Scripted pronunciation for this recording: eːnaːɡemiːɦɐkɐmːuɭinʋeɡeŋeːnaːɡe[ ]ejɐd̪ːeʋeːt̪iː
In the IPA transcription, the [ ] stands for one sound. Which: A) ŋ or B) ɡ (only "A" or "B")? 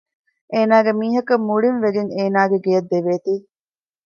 B